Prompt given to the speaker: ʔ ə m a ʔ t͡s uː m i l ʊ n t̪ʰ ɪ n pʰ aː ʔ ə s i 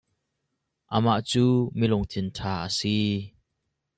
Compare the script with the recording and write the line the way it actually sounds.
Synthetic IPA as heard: ʔ ə m a ʔ t͡s uː m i l ʊ ŋ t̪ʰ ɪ n tʰ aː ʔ ə s i